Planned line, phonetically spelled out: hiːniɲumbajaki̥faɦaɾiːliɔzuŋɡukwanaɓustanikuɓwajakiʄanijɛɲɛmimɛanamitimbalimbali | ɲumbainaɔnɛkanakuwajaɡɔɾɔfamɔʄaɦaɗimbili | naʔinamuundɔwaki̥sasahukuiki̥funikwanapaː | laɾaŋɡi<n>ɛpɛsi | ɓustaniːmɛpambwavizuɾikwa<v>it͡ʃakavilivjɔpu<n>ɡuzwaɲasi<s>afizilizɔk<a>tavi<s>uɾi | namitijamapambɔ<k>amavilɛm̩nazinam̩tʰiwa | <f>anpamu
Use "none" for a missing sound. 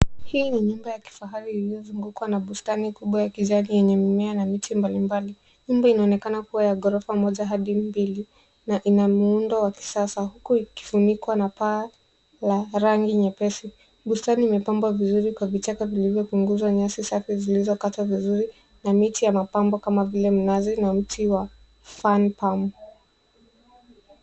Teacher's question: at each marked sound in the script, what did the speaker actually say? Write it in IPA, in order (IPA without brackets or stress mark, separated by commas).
ɲ, v, ŋ, s, a, z, k, f